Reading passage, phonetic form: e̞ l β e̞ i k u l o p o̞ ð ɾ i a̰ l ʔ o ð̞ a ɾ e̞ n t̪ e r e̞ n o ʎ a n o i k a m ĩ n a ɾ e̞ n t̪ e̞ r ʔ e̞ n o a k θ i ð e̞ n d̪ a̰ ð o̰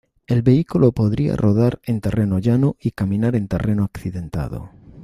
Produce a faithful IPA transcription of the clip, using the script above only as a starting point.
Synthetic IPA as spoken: e̞ l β e̞ i k u l o p o̞ ð ɾ i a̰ r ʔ o ð̞ a ɾ e̞ n t̪ e r e̞ n o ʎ a n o i k a m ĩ n a ɾ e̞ n t̪ e̞ r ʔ e̞ n o a k θ i ð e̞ n t̪ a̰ ð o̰

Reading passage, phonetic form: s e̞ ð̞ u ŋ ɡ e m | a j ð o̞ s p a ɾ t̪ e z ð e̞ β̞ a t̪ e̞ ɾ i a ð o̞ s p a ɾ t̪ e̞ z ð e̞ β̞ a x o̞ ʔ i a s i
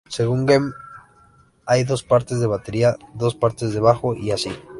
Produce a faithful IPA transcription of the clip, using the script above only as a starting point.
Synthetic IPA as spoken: s e̞ ɣ̞ u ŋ ɡ e m | a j ð o̞ s p a ɾ t̪ e z ð e̞ β̞ a t̪ e̞ ɾ i a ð o̞ s p a ɾ t̪ e̞ z ð e̞ β̞ a x o̞ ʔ i a s i

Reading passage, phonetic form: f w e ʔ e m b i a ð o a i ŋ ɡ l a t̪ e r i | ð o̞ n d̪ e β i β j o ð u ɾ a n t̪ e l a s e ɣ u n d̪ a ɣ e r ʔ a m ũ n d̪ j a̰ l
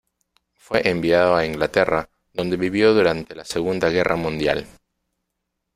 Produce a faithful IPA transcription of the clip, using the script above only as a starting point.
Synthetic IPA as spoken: f w e ʔ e m b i a ð o a i ŋ ɡ l a t̪ e r a | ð o̞ n d̪ e β i β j o ð u ɾ a n t̪ e l a s e ɣ u n d̪ a ɣ e r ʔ a m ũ n d̪ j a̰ l

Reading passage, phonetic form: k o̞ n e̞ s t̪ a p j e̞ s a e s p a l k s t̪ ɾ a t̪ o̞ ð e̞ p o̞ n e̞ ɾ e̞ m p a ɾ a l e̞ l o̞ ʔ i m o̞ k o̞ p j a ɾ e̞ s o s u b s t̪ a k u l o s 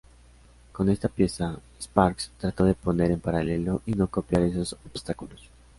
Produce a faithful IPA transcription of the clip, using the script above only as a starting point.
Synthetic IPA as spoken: k o̞ n e̞ s t̪ a p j e̞ s a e s p a ɾ k s t̪ ɾ a t̪ o̞ ð e̞ p o̞ n e̞ ɾ e̞ m p a ɾ a l e̞ l o̞ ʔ i n o̞ k o̞ p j a ɾ e̞ s o s o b s t̪ a k u l o s

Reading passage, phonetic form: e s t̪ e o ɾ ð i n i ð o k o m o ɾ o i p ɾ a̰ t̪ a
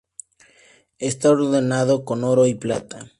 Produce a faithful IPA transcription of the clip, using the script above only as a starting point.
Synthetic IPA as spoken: e s t̪ a o ɾ ð e n a ð o k o n o ɾ o i p l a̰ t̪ a

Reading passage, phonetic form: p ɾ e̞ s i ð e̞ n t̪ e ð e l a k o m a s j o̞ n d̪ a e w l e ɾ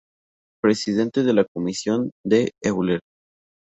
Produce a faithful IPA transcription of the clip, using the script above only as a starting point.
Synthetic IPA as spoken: p ɾ e̞ s i ð e̞ n t̪ e ð e l a k o m i s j o̞ n d̪ e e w l e ɾ

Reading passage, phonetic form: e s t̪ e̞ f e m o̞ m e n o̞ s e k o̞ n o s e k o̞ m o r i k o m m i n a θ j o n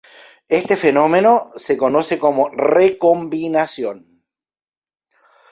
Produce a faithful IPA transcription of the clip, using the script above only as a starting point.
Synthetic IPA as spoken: e s t̪ e̞ f e n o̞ m e n o̞ s e k o̞ n o s e k o̞ m o r e k o m b i n a s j o n

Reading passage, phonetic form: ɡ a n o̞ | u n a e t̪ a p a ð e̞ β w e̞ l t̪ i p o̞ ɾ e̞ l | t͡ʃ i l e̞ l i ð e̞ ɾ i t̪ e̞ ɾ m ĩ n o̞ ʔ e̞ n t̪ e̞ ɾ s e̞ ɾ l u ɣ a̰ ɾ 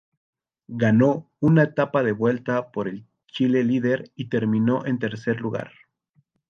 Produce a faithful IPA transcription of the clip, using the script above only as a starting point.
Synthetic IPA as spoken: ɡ a n o̞ | u n a e t̪ a p a ð e̞ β w e̞ l t̪ a p o̞ ɾ e̞ l | t͡ʃ i l e̞ l i ð e̞ ɾ i t̪ e̞ ɾ m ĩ n o̞ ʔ e̞ n t̪ e̞ ɾ s e̞ ɾ l u ɣ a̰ ɾ

